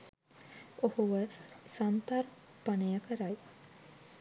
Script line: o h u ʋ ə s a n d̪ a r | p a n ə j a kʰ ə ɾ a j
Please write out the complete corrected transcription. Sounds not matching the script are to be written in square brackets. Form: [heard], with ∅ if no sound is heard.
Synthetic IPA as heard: o h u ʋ ə s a n [t̪] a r | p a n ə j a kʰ ə ɾ a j